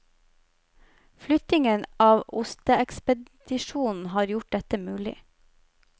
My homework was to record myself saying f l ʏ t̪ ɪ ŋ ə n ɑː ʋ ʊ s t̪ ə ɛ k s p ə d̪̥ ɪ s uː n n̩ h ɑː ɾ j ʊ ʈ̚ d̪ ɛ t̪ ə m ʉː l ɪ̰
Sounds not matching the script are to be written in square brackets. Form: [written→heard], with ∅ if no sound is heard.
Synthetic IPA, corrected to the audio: f l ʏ t̪ ɪ ŋ ə n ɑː ʋ ʊ s t̪ ə ɛ k s p ə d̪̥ ɪ [s→ʃ] uː n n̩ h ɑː ɾ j ʊ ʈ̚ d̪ ɛ t̪ ə m ʉː l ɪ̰